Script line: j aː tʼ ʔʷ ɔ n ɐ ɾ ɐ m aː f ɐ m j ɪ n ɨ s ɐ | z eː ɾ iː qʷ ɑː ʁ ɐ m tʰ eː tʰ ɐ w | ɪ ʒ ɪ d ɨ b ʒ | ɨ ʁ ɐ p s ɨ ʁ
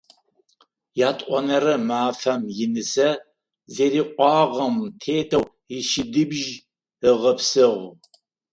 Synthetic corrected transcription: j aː tʼ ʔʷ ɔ n ɐ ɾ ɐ m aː f ɐ m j ɪ n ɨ s ɐ | z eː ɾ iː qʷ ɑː ʁ ɐ m tʰ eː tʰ ɐ w | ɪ ʃ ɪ d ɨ b ʒ | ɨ ʁ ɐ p s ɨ ʁ